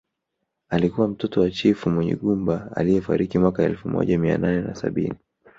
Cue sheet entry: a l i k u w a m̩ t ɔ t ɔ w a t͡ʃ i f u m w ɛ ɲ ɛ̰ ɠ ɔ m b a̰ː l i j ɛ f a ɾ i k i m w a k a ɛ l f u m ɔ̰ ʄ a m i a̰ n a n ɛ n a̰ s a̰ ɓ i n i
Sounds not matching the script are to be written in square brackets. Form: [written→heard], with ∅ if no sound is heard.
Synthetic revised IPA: a l i k u w a m̩ t ɔ t ɔ w a t͡ʃ i f u m w ɛ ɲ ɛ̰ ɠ [ɔ→u] m b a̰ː l i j ɛ f a ɾ i k i m w a k a ɛ l f u m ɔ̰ ʄ a m i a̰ n a n ɛ n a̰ s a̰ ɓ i n i